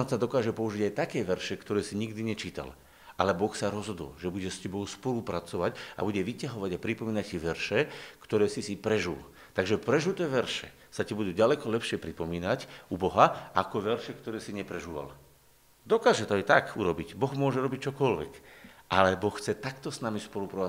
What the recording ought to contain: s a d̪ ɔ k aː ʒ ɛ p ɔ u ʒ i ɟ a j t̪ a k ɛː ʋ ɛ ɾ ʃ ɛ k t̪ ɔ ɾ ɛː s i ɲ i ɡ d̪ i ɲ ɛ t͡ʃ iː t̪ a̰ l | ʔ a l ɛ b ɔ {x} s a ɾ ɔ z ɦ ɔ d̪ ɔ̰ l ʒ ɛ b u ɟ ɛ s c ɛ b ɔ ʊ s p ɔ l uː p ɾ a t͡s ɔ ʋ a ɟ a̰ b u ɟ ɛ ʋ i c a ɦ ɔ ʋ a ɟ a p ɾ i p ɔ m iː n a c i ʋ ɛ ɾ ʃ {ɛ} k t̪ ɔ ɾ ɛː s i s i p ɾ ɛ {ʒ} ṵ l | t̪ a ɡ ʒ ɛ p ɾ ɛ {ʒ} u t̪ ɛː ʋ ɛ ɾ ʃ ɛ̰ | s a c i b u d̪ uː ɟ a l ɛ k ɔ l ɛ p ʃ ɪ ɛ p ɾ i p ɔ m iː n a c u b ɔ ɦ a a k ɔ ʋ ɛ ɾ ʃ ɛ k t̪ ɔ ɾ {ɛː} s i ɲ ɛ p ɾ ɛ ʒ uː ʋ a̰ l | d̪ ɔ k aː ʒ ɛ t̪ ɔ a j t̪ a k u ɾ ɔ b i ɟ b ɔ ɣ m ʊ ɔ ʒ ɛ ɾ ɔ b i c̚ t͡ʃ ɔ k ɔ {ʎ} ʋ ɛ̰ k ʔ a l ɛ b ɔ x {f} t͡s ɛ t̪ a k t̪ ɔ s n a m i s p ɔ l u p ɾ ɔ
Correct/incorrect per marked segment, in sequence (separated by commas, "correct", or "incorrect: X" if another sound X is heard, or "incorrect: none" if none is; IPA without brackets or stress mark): correct, correct, correct, correct, correct, incorrect: l, incorrect: x